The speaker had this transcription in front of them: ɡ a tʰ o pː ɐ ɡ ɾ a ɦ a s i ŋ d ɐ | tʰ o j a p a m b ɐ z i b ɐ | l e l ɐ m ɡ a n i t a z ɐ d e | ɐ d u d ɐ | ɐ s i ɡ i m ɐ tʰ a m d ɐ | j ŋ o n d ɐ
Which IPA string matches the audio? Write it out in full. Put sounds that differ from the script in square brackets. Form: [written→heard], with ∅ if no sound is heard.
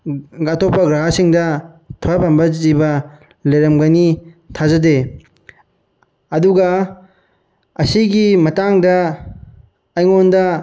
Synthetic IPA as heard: ɡ a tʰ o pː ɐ ɡ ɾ a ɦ a s i ŋ d ɐ | tʰ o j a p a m b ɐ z i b ɐ | l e [l→ɾ] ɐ m ɡ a n i [t→tʰ] a z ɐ d e | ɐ d u [d→ɡ] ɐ | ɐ s i ɡ i m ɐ [tʰ→t] a [m→ŋ] d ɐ | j ŋ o n d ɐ